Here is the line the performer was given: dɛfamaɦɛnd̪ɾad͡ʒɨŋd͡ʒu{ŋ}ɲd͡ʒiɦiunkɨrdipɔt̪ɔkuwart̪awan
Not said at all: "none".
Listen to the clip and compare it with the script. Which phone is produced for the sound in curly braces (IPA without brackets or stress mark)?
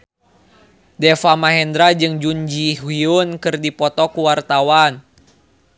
none